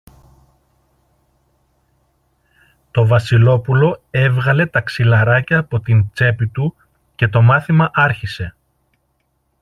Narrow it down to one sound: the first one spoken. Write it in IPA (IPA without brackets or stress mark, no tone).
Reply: t̪